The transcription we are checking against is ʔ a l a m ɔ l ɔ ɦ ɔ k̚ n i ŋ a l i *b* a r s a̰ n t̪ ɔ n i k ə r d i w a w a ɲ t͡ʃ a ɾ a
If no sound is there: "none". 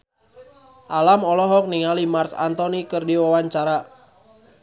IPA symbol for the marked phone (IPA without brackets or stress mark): m